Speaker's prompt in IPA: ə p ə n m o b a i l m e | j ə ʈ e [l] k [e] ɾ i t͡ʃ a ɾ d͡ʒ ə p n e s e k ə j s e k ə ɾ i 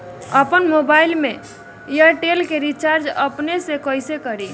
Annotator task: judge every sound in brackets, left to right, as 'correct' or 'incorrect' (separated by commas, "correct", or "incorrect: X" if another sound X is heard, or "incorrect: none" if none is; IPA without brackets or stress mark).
correct, correct